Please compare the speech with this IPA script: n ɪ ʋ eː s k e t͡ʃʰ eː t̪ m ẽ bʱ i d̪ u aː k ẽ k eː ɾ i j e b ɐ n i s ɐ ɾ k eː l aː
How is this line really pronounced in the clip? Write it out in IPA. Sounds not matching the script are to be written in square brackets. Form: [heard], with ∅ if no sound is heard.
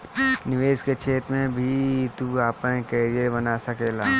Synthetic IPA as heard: n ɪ ʋ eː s k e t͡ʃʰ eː t̪ m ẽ bʱ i [t̪] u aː [p] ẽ k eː ɾ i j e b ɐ n [a] s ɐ [∅] k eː l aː